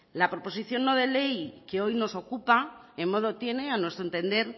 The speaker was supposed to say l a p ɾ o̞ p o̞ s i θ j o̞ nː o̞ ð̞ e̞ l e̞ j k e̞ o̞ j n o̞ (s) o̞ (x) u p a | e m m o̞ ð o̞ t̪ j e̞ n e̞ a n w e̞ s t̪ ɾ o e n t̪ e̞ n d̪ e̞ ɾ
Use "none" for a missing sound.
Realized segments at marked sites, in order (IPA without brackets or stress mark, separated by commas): s, k